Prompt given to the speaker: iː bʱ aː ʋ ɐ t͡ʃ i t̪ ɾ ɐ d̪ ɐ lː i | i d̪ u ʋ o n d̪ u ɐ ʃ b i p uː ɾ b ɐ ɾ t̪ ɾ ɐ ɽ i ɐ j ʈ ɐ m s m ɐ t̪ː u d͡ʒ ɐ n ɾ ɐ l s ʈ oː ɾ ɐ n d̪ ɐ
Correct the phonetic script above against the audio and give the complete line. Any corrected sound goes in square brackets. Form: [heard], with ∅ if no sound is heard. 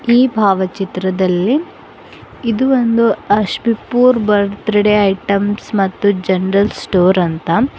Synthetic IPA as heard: iː bʱ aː ʋ ɐ t͡ʃ i t̪ ɾ ɐ d̪ ɐ lː i | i d̪ u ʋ o n d̪ u ɐ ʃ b i p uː ɾ b ɐ ɾ t̪ ɾ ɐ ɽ [e] ɐ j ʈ ɐ m s m ɐ t̪ː u d͡ʒ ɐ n ɾ ɐ l s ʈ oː ɾ ɐ n [t̪] ɐ